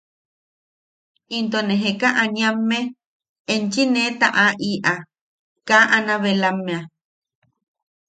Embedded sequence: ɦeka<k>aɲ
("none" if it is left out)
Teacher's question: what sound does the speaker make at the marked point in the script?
ʔ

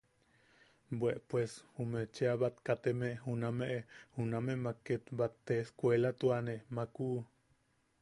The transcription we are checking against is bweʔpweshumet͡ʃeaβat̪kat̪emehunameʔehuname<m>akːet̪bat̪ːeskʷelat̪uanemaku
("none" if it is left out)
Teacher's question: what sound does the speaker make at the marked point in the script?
m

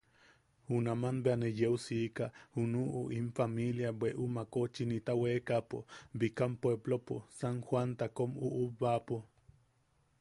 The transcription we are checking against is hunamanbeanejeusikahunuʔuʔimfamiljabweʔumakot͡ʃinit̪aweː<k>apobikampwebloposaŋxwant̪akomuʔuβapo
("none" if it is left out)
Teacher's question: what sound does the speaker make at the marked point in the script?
k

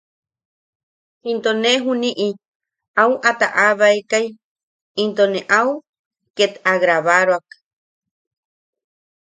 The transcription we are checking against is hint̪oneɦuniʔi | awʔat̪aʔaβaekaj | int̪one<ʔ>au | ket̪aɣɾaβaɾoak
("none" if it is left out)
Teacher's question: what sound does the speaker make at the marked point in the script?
ʔ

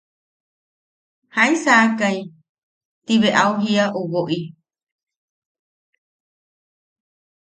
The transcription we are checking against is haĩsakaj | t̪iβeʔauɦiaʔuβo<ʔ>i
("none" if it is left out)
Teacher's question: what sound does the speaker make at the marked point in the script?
ʔ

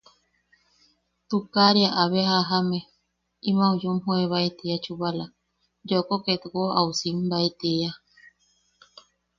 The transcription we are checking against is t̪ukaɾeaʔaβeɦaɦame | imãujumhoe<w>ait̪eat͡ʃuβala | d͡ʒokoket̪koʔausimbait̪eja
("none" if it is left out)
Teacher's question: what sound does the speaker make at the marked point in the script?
β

